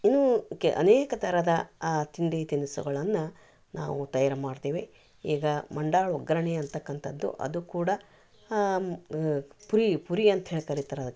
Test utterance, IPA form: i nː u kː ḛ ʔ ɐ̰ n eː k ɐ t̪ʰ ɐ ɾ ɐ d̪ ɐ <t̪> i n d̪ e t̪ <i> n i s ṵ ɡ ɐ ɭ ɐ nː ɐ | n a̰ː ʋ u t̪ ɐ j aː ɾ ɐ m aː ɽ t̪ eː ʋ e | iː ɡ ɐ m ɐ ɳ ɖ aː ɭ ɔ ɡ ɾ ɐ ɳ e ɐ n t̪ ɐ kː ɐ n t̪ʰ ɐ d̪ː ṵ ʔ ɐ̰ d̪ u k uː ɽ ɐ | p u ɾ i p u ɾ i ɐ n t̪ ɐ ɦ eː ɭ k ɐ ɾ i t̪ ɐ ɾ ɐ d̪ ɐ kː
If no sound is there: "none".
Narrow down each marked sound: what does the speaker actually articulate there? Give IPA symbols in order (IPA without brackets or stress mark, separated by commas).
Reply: t̪, i